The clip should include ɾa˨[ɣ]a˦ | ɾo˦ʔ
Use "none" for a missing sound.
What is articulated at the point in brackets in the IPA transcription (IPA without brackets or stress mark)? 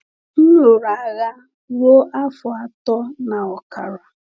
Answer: ɣ